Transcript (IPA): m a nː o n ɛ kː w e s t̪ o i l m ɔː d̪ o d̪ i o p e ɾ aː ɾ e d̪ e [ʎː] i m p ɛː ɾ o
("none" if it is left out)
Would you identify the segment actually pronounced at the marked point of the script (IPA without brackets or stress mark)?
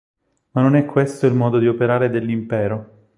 lː